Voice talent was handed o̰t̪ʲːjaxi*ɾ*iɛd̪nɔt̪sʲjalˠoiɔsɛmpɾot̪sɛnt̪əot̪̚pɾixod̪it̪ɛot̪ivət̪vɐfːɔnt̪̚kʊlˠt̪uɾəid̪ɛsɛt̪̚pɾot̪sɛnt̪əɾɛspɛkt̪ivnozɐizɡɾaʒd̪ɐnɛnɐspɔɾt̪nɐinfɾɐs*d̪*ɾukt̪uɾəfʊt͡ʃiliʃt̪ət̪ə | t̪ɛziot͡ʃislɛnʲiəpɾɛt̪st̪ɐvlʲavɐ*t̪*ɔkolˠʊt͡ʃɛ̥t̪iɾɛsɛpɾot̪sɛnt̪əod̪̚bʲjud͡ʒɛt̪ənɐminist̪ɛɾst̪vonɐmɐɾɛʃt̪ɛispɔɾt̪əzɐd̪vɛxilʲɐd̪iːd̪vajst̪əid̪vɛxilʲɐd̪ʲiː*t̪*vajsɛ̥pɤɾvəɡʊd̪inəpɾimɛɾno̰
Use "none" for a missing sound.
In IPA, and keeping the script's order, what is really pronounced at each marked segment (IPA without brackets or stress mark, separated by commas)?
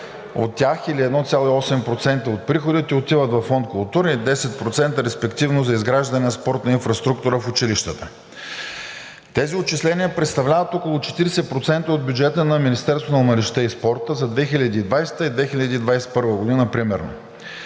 l, t̪, t̪, d̪